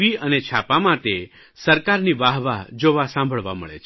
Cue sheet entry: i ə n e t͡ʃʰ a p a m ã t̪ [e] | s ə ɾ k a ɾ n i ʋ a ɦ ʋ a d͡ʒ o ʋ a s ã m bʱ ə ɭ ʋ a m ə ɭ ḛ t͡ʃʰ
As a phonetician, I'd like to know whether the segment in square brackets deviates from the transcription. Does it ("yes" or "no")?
no